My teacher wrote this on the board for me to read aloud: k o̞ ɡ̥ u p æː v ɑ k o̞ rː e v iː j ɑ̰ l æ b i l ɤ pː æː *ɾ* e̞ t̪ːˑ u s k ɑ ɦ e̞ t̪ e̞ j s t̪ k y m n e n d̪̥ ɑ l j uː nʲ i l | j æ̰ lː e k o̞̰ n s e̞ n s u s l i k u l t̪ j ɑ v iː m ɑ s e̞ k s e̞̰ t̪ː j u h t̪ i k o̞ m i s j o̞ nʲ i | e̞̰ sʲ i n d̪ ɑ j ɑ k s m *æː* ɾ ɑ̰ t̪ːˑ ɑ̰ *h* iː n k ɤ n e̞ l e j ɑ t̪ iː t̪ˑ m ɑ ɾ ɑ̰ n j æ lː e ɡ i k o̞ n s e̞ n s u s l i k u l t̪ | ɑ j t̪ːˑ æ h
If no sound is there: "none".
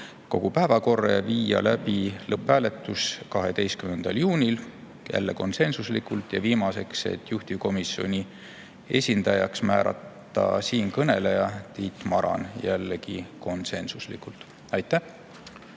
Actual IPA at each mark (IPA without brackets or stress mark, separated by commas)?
l, æː, s